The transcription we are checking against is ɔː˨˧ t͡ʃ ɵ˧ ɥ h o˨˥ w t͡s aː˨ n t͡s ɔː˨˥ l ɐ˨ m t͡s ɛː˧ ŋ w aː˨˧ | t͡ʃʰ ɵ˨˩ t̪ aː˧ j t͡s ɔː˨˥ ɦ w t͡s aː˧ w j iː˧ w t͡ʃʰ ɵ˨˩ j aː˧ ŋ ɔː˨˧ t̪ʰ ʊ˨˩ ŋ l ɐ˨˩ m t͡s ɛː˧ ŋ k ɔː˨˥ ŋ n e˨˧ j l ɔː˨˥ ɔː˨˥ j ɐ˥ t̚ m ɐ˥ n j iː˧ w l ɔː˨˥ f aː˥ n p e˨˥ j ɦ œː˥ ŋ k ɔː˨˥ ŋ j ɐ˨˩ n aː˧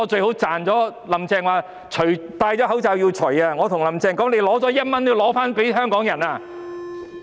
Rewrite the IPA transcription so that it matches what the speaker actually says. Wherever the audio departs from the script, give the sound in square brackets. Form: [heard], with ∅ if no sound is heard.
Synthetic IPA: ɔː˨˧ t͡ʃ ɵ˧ ɥ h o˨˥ w t͡s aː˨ n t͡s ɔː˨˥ l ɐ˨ m t͡s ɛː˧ ŋ w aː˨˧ | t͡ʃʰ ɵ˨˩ t̪ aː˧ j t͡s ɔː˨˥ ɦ w t͡s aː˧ w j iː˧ w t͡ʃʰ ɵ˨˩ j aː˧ ŋ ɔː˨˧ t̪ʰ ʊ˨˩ ŋ l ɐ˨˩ m t͡s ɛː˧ ŋ k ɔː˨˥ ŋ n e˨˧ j l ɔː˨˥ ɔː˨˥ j ɐ˥ t̚ m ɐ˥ n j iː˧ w l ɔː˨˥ f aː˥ n p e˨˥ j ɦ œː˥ ŋ k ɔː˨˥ ŋ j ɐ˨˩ n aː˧